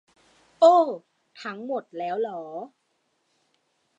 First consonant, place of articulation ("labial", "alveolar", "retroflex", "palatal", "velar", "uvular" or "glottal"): glottal